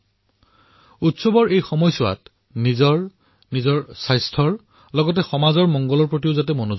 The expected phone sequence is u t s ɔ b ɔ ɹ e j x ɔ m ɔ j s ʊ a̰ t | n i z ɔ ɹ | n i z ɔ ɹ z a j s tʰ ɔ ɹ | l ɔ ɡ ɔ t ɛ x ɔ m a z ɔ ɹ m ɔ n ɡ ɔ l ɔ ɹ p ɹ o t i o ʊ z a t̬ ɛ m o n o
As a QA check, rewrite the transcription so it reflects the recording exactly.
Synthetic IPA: u t s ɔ b ɔ ɹ e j x ɔ m ɔ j s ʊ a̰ t | n i z ɔ ɹ | n i z ɔ ɹ s a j s tʰ ɔ ɹ | l ɔ ɡ ɔ t ɛ x ɔ m a z ɔ ɹ m ɔ ŋ ɡ ɔ l ɔ ɹ p ɹ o t i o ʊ z a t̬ ɛ m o n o

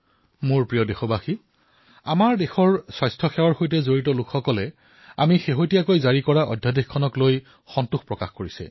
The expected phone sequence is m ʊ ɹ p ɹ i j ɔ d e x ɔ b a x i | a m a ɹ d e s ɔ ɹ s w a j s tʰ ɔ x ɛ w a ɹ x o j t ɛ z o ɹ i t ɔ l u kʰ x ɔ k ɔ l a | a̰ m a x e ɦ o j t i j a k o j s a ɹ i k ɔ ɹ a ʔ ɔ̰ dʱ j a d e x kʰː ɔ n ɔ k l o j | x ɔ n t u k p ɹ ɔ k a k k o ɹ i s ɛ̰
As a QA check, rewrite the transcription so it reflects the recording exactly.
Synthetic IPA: m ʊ ɹ p ɹ i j ɔ d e x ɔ b a x i | a m a ɹ d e x ɔ ɹ s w a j s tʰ ɔ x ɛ w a ɹ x o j t ɛ z o ɹ i t ɔ l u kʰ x ɔ k ɔ l ɛ | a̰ m i x e ɦ o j t i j a k o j z a ɹ i k ɔ ɹ a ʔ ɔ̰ dʱ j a d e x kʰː ɔ n ɔ k l o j | x ɔ n t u x p ɹ ɔ k a x k o ɹ i s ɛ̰

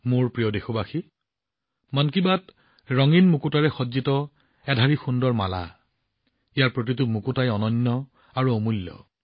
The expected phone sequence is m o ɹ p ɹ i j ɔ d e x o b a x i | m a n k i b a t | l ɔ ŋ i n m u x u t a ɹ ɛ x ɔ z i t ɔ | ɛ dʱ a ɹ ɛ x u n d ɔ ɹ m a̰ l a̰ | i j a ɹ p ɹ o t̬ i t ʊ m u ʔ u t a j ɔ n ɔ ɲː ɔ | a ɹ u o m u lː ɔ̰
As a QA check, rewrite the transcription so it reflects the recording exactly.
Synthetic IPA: m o ɹ p ɹ i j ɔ d e x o b a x i | m a n k i b a t | ɹ ɔ ŋ i n m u k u t a ɹ ɛ x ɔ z i t ɔ | ɛ dʱ a ɹ i x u n d ɔ ɹ m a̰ l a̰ | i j a ɹ p ɹ o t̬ i t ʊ m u k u t a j ɔ n ɔ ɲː ɔ | a ɹ u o m u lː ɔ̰

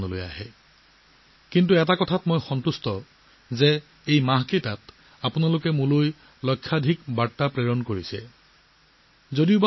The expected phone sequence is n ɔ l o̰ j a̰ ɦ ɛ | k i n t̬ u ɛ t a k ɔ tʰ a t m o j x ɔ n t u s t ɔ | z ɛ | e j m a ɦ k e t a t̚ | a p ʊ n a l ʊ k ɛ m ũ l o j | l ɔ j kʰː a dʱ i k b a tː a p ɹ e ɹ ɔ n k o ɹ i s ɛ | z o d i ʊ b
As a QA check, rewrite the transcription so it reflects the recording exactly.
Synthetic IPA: n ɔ l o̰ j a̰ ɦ ɛ | k i n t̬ u ɛ t a k ɔ tʰ a t m o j x ɔ n t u s t ɔ | z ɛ | e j m a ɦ k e t a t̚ | a p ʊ n a l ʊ k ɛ m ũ l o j | l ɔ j kʰː a dʱ i k b a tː a p ɹ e ɹ ɔ n k o ɹ i s ɛ | z o d i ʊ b

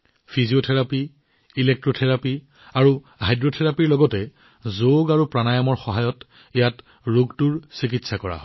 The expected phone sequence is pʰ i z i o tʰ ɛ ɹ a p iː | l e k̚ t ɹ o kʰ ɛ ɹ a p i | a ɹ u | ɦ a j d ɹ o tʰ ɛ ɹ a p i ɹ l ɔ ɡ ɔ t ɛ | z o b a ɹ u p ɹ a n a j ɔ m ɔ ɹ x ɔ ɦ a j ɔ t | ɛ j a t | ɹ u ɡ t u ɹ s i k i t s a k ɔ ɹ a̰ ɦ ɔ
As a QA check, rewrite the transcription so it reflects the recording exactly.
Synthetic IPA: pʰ i z i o tʰ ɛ ɹ a p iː | l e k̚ t ɹ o tʰ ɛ ɹ a p i | a ɹ u | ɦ a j d ɹ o tʰ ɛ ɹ a p i ɹ l ɔ ɡ ɔ t ɛ | z o ɡ a ɹ u p ɹ a n a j ɔ m ɔ ɹ x ɔ ɦ a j ɔ t | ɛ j a t | ɹ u ɡ t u ɹ s i k i t s a k ɔ ɹ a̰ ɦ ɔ

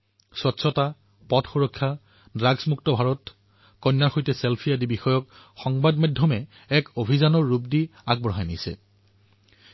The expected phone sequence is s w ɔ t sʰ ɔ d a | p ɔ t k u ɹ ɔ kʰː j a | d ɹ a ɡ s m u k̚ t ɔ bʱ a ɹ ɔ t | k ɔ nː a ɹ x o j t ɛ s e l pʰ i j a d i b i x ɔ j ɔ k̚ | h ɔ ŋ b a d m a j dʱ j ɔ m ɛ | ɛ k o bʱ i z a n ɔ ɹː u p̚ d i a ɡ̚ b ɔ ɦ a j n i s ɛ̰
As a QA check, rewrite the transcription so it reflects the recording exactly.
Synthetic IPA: s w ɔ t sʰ ɔ t a | p ɔ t x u ɹ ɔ kʰː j a | d ɹ a ɡ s m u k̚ t ɔ bʱ a ɹ ɔ t | k ɔ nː a ɹ x o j t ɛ s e l pʰ i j a d i b i x ɔ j ɔ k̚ | x ɔ ŋ b a d m a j dʱ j ɔ m ɛ | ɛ k o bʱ i z a n ɔ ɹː u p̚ d i a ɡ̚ b ɔ ɦ a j n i s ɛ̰

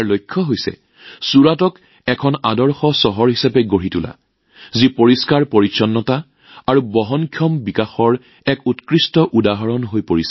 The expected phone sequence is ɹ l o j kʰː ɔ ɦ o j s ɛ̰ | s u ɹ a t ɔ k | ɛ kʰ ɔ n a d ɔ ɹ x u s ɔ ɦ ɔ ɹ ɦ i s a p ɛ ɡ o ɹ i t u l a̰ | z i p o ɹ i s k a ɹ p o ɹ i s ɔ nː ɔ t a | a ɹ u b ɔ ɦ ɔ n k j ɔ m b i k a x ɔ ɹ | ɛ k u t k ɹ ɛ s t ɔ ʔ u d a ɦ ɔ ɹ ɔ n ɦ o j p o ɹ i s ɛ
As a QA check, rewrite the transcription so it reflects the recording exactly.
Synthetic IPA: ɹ l o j kʰː ɔ ɦ o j s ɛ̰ | s u ɹ a t ɔ k | ɛ kʰ ɔ n a d ɔ ɹ x ɔ s ɔ ɦ ɔ ɹ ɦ i s a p ɛ ɡ o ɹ i t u l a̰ | z i p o ɹ i s k a ɹ p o ɹ i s ɔ nː ɔ t a | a ɹ u b ɔ ɦ ɔ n kʰ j ɔ m b i k a x ɔ ɹ | ɛ k u t k ɹ i s t ɔ ʔ u d a ɦ ɔ ɹ ɔ n ɦ o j p o ɹ i s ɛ

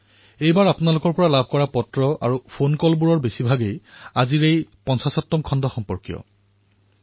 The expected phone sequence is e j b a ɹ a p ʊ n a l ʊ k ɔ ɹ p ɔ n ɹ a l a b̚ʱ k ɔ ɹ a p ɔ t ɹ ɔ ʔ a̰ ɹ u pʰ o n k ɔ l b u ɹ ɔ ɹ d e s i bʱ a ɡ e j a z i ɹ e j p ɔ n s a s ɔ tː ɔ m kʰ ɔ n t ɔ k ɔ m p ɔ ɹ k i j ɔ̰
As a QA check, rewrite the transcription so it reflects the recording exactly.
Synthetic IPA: e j b a ɹ a p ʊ n a l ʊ k ɔ ɹ p ɔ ɹ a l a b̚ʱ k ɔ ɹ a p ɔ t ɹ ɔ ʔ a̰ ɹ u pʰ o n k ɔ l b u ɹ ɔ ɹ b e s i bʱ a ɡ e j a z i ɹ e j p ɔ n s a s ɔ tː ɔ m kʰ ɔ n d ɔ x ɔ m p ɔ ɹ k i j ɔ̰

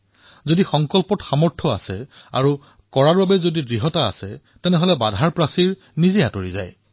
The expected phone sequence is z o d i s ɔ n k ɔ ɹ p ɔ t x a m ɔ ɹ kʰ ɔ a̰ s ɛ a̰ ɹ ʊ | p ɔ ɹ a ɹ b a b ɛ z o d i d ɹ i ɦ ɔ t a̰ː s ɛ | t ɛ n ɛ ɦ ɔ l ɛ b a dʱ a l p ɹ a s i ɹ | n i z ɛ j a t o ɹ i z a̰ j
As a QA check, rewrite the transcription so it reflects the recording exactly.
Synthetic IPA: z o d i x ɔ ŋ k ɔ l p ɔ t x a m ɔ ɹ tʰ ɔ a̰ s ɛ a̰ ɹ u | k ɔ ɹ a ɹ b a b ɛ z o d i d ɹ i ɦ ɔ t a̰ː s ɛ | t ɛ n ɛ ɦ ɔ l ɛ b a dʱ a ɹ p ɹ a s i ɹ | n i z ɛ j a t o ɹ i z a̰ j

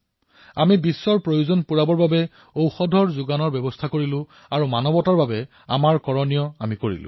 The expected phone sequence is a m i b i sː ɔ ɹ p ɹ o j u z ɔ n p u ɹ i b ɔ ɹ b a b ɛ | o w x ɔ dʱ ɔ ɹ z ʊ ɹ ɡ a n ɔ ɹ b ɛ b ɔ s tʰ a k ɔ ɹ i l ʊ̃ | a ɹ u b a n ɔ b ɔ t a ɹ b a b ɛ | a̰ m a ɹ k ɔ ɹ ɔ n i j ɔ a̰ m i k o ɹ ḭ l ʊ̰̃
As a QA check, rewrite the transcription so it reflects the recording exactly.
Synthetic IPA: a m i b i sː ɔ ɹ p ɹ o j u z ɔ n p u ɹ a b ɔ ɹ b a b ɛ | o w x ɔ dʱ ɔ ɹ z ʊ ɡ a n ɔ ɹ b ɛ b ɔ s tʰ a k o ɹ i l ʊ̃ | a ɹ u m a n ɔ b ɔ t a ɹ b a b ɛ | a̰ m a ɹ k ɔ ɹ ɔ n i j ɔ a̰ m i k o ɹ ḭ l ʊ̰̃

